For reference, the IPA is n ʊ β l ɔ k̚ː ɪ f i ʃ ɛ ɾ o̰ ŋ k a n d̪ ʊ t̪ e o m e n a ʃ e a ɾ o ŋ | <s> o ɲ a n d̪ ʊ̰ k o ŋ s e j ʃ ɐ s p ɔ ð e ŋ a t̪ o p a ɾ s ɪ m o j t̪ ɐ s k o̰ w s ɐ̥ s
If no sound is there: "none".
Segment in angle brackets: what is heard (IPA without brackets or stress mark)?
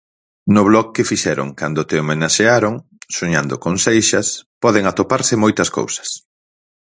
s